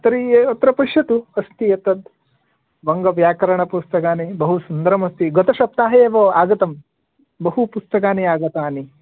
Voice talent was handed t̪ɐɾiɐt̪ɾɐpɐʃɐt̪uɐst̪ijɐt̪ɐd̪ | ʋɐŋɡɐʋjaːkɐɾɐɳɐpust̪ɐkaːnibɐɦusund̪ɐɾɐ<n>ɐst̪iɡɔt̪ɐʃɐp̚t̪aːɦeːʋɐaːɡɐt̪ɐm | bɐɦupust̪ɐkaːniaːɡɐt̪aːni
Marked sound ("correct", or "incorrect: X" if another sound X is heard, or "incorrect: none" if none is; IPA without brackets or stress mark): incorrect: m